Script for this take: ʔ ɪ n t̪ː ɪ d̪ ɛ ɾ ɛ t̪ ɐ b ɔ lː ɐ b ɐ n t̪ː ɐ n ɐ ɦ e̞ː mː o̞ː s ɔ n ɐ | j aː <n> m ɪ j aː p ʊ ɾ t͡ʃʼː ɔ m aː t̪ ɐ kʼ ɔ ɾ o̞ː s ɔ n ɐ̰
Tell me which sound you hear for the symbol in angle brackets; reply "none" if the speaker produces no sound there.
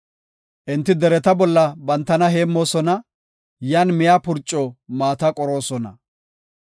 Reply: n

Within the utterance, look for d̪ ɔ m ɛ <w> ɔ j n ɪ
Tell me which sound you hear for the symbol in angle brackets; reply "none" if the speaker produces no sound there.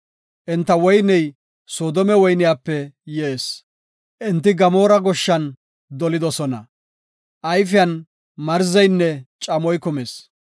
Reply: w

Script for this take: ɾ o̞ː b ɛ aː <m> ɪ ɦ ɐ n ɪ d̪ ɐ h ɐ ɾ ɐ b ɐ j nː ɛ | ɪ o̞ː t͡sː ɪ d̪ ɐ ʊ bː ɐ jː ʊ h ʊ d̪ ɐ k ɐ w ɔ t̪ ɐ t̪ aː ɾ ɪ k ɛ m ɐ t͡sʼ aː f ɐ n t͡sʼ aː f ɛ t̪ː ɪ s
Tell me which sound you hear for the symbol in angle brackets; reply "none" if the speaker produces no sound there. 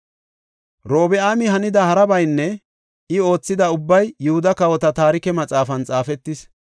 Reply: m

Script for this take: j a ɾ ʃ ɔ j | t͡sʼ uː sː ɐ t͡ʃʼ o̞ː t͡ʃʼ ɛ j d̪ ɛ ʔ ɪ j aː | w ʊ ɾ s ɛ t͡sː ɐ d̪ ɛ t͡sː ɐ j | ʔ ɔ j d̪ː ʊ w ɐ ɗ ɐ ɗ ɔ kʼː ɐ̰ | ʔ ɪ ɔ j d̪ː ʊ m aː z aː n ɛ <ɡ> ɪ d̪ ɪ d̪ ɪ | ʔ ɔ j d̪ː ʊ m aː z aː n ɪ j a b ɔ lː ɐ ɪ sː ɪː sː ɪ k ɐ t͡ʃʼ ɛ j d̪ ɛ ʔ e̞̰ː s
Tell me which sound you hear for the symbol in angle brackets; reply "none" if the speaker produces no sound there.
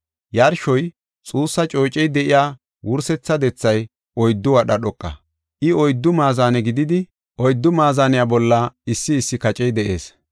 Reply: ɡ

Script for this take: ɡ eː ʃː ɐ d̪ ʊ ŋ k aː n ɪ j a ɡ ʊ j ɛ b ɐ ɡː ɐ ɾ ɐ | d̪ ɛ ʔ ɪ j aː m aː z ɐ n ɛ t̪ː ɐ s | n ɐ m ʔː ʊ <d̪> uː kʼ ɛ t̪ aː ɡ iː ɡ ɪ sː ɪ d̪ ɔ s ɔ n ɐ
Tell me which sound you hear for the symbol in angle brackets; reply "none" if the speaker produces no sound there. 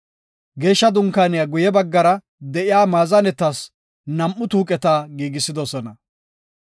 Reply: t̪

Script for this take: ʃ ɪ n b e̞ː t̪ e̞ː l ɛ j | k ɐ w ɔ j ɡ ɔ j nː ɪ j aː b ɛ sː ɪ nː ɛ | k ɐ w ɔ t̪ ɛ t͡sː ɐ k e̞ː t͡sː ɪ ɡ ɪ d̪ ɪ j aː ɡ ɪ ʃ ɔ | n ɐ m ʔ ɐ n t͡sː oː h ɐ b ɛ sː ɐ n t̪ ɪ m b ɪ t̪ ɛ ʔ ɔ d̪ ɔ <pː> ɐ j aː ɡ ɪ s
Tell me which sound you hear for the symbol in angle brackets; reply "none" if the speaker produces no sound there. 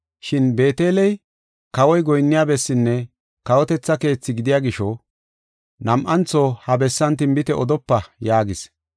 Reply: pː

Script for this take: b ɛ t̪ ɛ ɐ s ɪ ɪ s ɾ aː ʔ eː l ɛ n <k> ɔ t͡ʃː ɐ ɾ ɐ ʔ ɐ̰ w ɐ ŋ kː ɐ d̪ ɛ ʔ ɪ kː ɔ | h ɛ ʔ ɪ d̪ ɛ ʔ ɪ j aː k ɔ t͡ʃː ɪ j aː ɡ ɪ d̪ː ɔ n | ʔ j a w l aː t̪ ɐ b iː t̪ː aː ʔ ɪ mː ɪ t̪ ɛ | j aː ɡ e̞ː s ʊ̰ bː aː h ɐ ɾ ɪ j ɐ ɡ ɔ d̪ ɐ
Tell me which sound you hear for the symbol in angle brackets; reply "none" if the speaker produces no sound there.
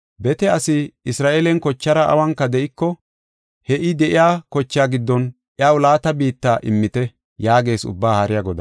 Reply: k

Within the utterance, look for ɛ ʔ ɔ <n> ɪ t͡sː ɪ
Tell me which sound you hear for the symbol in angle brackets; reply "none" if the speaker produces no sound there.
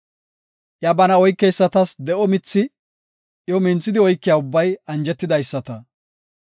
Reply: m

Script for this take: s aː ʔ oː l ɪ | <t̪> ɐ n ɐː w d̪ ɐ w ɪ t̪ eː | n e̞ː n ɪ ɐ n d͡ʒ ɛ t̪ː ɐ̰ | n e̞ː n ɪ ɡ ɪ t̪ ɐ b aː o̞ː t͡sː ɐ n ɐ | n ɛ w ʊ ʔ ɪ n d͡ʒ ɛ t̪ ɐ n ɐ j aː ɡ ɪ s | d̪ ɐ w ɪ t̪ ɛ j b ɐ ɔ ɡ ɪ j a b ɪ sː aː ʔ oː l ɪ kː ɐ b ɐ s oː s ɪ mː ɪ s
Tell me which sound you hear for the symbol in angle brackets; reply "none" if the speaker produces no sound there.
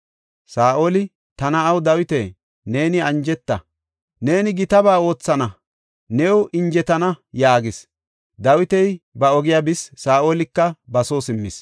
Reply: t̪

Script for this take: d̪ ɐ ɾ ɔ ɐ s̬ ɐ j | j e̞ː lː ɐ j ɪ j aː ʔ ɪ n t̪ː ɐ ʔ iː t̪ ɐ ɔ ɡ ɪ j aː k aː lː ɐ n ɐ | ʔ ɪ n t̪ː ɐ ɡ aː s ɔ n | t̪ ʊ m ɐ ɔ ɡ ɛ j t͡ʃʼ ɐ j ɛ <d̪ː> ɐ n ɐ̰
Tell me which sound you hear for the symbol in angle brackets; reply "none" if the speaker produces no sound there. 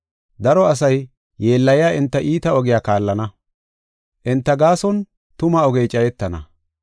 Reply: t̪ː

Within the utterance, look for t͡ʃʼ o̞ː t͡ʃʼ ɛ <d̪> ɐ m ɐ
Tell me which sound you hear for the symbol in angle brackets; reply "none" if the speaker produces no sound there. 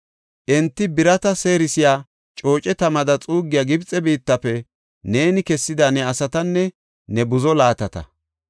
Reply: t̪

